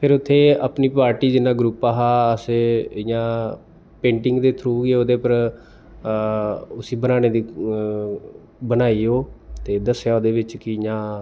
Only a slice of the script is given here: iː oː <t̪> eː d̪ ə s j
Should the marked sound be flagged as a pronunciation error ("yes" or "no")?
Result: no